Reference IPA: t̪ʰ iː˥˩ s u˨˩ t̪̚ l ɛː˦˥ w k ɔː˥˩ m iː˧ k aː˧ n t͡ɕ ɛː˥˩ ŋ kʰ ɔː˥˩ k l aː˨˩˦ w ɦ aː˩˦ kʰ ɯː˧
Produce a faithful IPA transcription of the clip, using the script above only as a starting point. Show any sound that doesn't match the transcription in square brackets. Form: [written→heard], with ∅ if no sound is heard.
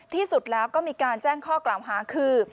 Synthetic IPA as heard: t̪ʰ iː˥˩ s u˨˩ t̪̚ l ɛː˦˥ w k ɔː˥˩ m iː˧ k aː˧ n t͡ɕ ɛː˥˩ ŋ kʰ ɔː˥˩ k l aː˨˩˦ w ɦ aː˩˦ kʰ ɯː˧